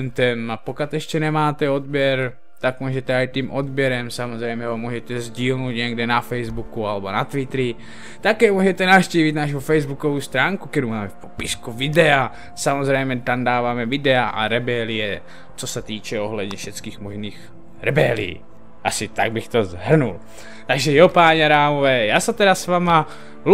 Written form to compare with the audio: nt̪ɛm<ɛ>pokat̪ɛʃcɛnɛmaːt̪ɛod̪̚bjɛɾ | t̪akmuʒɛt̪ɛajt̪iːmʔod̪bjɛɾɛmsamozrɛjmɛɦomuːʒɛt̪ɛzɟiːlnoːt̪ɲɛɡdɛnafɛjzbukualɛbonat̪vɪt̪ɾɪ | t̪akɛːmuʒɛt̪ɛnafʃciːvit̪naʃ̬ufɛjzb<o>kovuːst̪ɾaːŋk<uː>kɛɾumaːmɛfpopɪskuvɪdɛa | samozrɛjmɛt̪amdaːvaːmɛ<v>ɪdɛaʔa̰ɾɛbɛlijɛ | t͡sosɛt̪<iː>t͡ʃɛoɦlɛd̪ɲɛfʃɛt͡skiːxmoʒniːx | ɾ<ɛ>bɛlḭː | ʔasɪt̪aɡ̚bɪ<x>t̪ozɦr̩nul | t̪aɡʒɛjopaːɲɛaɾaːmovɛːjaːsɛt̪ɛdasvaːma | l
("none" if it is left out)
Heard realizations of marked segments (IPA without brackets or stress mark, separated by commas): a, u, u, v, iː, ɛ, x